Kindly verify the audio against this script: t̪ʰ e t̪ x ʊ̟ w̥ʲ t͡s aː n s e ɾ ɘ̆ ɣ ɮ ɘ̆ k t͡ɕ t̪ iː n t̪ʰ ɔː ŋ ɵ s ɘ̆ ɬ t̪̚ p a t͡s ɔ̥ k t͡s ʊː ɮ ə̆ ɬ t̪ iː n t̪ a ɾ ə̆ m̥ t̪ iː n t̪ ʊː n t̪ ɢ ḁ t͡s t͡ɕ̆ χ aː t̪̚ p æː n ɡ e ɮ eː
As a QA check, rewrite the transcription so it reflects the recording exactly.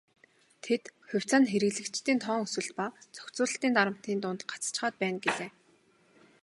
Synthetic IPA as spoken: t̪ʰ e t̪ x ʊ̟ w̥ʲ t͡s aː n x e ɾ ɘ̆ ɣ ɮ ɘ̆ k t͡ɕ t̪ iː n t̪ʰ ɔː ŋ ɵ s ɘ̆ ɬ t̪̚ p a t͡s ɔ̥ k t͡s ʊː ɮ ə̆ ɬ t̪ iː n t̪ a ɾ ə̆ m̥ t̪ iː n t̪ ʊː n t̪ ɢ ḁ t͡s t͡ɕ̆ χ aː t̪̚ p æː n ɡ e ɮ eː